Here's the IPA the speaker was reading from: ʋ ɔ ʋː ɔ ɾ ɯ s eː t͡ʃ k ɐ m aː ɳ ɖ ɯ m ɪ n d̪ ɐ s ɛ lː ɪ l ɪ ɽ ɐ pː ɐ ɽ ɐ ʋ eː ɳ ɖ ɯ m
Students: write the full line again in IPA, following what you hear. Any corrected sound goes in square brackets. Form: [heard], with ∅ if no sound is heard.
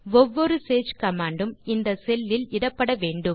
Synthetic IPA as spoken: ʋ ɔ ʋː ɔ ɾ ɯ s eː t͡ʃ k ɐ m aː ɳ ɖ ɯ m ɪ n d̪ ɐ s ɛ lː ɪ l ɪ ɽ ɐ pː ɐ ɽ ɐ ʋ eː ɳ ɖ ɯ m

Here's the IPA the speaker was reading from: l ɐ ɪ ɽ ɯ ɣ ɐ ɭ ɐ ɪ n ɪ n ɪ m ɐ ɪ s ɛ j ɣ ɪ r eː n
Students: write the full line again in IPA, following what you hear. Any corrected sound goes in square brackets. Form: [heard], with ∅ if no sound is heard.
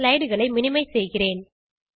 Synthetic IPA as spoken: l ɐ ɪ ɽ ɯ ɣ ɐ ɭ ɐ ɪ [m] ɪ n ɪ m ɐ ɪ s ɛ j ɣ ɪ r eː n

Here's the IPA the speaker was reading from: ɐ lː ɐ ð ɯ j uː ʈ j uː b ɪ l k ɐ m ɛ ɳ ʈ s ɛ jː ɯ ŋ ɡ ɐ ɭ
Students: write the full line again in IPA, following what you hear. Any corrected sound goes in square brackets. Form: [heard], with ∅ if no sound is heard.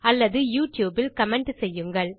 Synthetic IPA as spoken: ɐ lː ɐ ð ɯ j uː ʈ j uː b ɪ l k ɐ m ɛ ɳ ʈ s ɛ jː ɯ ŋ ɡ ɐ ɭ

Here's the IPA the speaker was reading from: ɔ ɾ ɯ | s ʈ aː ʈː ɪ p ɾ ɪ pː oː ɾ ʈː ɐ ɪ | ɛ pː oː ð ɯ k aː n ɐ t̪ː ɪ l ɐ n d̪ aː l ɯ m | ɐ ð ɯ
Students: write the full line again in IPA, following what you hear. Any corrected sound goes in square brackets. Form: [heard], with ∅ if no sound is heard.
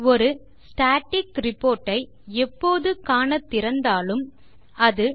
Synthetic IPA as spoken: ɔ ɾ ɯ | s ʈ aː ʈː ɪ [k] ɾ ɪ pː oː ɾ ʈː ɐ ɪ | ɛ pː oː ð ɯ k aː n ɐ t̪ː ɪ [ɾ] ɐ n d̪ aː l ɯ m | ɐ ð ɯ

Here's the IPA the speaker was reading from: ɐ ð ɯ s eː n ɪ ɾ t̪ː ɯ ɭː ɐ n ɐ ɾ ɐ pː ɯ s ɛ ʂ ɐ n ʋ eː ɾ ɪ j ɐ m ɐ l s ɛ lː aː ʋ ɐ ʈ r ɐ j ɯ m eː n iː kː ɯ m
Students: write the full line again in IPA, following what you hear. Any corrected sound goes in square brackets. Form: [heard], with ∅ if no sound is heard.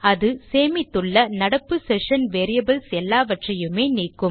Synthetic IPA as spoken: ɐ ð ɯ s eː [m] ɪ [∅] t̪ː ɯ ɭː ɐ n ɐ [ɽ] ɐ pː ɯ s ɛ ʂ ɐ n ʋ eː ɾ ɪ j ɐ [b] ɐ l s ɛ lː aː ʋ ɐ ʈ r ɐ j ɯ m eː n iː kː ɯ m

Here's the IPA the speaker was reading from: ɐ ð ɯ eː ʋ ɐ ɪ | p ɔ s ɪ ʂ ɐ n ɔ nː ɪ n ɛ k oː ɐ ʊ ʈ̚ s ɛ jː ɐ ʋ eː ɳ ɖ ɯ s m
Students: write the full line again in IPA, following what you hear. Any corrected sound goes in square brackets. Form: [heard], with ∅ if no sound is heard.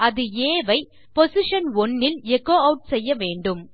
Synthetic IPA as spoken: ɐ ð ɯ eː ʋ ɐ ɪ | p ɔ s ɪ ʂ ɐ n ɔ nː ɪ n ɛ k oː ɐ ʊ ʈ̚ s ɛ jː ɐ ʋ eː ɳ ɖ ɯ [∅] m

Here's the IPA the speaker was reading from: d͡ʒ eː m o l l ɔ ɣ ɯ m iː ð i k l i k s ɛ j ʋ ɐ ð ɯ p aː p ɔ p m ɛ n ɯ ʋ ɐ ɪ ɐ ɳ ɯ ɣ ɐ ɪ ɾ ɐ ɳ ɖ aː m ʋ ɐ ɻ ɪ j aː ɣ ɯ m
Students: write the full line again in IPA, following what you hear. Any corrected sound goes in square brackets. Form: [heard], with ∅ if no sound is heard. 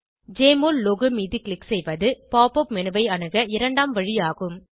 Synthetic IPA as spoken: d͡ʒ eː m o l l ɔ ɣ ɯ m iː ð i k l [ɪ] k s ɛ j ʋ ɐ ð ɯ p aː p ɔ p m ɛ n ɯ ʋ ɐ ɪ ɐ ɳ ɯ ɣ ɐ ɪ ɾ ɐ ɳ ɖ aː m ʋ ɐ ɻ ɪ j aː ɣ ɯ m

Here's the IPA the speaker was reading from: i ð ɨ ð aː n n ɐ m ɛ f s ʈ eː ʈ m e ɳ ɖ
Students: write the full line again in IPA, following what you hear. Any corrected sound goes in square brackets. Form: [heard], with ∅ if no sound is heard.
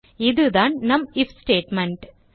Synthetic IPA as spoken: i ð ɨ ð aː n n ɐ m [i] f s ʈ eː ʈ m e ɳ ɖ

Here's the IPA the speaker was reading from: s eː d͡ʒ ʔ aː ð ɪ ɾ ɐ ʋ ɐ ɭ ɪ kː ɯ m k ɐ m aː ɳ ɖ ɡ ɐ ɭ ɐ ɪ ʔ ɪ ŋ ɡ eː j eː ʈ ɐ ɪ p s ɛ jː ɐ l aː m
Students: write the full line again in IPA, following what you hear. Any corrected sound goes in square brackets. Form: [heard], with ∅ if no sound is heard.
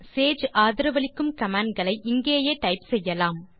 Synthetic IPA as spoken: s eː d͡ʒ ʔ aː ð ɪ ɾ ɐ ʋ ɐ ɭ ɪ kː ɯ m k ɐ m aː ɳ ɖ ɡ ɐ ɭ ɐ ɪ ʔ ɪ ŋ ɡ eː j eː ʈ ɐ ɪ p s ɛ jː ɐ l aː m

